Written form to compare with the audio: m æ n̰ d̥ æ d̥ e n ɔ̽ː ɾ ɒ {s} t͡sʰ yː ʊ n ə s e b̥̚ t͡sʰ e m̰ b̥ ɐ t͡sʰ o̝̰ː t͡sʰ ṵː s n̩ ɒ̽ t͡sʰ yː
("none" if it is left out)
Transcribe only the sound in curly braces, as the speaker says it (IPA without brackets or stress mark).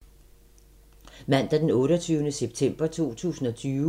none